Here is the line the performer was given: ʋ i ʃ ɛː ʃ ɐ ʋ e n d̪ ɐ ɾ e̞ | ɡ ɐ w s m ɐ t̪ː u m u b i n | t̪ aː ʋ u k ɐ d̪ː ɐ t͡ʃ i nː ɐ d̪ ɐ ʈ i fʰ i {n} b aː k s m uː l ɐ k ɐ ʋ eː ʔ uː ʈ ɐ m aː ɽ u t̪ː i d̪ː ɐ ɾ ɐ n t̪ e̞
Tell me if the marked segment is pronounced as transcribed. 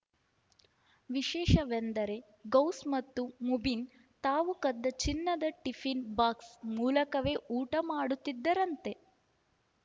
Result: yes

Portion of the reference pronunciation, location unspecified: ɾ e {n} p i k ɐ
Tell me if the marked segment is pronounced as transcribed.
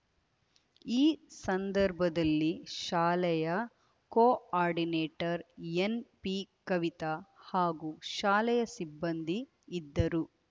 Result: yes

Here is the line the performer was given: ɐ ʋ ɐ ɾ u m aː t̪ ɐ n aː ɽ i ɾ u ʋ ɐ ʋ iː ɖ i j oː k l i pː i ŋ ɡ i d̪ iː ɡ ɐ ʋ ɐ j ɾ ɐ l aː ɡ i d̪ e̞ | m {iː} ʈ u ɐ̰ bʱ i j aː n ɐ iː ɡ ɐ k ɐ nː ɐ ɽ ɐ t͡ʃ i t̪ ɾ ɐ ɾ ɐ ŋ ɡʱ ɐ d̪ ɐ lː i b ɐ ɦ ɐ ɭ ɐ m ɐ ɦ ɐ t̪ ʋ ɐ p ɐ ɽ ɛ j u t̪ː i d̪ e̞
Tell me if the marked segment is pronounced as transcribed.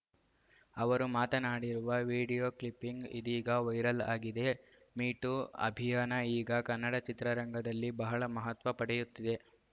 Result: yes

